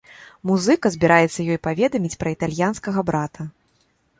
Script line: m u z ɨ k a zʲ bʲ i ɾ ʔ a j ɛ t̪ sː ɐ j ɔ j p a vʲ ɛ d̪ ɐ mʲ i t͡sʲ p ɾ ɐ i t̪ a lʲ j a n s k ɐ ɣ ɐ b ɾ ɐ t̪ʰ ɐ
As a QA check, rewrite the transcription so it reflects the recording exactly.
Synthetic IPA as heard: m u z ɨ k ɐ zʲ bʲ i ɾ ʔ a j ɛ t̪ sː ɐ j ɔ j p a vʲ ɛ d̪ ɐ mʲ i t͡sʲ p ɾ ɐ i t̪ a lʲ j a n s k ɐ ɣ ɐ b ɾ a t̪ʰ ɐ